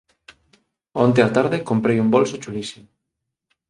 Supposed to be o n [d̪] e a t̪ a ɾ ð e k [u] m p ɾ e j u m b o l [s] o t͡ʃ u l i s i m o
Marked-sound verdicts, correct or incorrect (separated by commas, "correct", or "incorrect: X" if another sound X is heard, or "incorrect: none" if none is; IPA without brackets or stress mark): incorrect: t̪, incorrect: o, correct